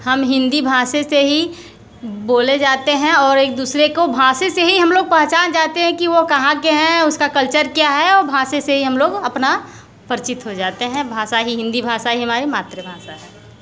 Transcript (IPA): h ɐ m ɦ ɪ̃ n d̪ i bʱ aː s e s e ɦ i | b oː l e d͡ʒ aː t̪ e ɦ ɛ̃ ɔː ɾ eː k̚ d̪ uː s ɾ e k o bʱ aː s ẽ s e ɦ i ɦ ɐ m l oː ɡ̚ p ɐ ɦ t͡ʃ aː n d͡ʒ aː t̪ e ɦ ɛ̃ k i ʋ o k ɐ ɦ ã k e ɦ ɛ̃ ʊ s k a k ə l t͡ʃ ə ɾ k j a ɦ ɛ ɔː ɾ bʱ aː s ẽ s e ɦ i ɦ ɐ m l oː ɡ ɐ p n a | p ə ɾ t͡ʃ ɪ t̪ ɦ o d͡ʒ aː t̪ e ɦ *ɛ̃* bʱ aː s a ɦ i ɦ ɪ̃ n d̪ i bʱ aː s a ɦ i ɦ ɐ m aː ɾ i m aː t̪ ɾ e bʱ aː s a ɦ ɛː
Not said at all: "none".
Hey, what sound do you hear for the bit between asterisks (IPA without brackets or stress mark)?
ɛ̃